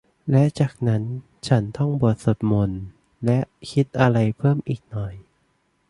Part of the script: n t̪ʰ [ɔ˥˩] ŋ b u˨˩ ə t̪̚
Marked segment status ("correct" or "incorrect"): correct